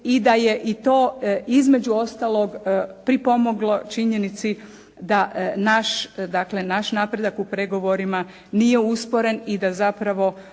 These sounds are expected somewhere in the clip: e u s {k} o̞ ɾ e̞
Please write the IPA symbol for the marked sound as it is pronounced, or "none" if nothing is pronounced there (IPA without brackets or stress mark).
p